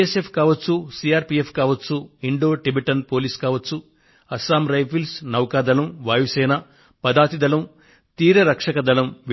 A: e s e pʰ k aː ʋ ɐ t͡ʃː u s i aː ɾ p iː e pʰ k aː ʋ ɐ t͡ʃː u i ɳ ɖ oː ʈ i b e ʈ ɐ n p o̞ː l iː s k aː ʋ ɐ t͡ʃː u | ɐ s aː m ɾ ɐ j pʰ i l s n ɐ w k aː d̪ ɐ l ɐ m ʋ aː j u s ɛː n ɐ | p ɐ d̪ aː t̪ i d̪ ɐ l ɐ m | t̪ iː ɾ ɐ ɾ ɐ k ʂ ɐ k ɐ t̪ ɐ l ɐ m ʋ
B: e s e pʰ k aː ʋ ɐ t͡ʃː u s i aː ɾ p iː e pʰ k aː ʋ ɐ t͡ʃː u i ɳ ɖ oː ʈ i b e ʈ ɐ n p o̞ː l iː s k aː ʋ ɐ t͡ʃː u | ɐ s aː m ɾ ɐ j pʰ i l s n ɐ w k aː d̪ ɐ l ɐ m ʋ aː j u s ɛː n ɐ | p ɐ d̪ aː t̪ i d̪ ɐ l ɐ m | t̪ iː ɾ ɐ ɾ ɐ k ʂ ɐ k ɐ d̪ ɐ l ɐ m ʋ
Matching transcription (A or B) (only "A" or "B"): B